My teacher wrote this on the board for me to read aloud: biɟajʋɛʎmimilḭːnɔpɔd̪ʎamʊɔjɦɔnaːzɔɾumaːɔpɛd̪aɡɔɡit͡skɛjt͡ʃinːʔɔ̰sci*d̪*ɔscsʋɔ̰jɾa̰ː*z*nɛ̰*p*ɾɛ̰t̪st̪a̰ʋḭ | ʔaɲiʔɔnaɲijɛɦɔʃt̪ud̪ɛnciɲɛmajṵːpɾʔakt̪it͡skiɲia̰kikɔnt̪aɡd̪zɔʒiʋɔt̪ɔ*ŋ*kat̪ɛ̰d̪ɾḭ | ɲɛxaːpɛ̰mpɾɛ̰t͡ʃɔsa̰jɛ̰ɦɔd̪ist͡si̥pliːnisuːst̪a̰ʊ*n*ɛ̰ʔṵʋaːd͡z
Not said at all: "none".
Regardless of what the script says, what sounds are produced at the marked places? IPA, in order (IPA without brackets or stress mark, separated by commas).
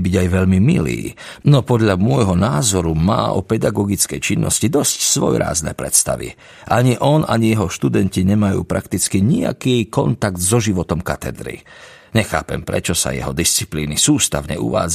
d̪, z, p, m, ɲ